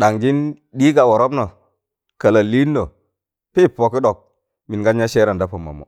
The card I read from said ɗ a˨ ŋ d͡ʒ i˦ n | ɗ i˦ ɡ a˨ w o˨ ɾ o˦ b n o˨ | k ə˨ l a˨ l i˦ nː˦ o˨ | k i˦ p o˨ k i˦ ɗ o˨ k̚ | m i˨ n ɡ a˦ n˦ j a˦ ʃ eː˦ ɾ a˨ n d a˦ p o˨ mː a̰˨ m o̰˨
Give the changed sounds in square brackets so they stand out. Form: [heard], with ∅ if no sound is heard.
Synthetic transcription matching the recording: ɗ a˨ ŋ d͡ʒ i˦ n | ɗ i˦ ɡ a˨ w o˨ ɾ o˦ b n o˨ | k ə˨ l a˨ l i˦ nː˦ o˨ | [p] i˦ p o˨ k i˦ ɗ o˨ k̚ | m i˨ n ɡ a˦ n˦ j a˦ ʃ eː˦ ɾ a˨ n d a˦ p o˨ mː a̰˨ m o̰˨